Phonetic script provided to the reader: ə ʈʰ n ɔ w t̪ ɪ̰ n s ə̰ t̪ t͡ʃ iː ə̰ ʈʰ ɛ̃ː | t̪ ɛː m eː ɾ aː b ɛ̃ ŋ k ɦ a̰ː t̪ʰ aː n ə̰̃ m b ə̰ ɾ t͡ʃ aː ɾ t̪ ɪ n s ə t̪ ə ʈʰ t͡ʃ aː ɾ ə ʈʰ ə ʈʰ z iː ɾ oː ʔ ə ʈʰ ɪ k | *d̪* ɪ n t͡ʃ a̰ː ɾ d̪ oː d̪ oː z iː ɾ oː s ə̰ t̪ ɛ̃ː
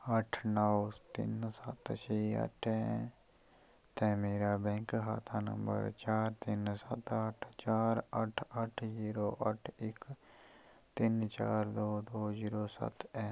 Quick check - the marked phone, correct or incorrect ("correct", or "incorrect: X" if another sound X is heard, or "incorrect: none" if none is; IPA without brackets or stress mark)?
incorrect: t̪